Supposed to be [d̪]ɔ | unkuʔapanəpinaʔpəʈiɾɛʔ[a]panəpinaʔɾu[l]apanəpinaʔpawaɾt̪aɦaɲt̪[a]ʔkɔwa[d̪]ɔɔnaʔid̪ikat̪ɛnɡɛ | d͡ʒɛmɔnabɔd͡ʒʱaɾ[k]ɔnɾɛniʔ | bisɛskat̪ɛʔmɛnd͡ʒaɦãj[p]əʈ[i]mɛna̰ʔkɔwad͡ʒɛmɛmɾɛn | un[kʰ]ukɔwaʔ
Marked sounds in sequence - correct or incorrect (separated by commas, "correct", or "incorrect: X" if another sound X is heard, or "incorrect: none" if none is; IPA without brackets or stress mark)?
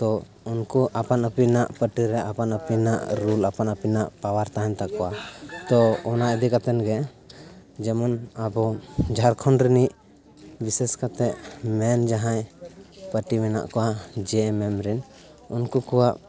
incorrect: t̪, correct, correct, correct, incorrect: t̪, incorrect: kʰ, correct, correct, incorrect: k